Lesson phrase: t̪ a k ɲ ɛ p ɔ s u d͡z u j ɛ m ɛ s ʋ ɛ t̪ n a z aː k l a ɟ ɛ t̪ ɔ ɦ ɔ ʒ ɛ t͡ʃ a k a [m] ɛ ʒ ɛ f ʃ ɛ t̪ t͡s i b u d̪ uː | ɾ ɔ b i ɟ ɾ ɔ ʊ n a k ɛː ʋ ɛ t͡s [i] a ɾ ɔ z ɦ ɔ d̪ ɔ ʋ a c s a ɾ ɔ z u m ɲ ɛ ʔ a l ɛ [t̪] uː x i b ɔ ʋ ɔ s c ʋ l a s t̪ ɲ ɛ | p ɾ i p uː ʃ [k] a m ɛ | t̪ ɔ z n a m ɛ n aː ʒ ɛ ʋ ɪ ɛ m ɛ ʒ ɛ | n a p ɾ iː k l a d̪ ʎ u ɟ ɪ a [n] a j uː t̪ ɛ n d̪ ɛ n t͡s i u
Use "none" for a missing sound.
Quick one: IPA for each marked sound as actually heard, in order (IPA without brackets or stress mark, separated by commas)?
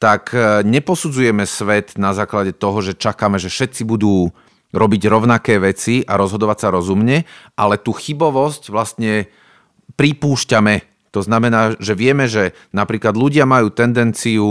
m, i, t̪, c, m